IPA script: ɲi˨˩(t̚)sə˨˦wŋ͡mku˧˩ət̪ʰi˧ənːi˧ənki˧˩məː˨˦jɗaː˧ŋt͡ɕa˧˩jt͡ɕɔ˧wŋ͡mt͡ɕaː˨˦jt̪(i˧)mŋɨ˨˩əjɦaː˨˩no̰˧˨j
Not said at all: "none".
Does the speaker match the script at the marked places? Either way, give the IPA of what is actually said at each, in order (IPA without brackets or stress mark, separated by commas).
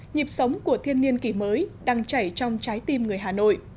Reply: p̚, i˧